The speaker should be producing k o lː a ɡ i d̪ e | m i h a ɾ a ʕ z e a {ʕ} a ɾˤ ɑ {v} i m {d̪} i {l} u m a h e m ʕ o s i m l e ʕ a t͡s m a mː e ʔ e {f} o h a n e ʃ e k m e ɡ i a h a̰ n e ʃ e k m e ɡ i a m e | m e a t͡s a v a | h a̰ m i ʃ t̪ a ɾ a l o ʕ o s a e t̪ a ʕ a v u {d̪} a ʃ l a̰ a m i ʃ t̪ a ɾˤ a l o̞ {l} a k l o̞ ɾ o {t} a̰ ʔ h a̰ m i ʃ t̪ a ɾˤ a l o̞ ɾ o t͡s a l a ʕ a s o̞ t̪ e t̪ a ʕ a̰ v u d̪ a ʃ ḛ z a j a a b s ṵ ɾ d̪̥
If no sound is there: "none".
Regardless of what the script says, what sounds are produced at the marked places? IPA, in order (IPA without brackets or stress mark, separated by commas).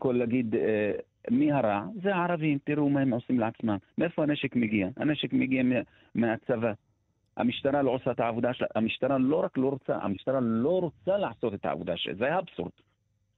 ʕ, v, t̪, ɾ, f, d̪, ɾ, t͡s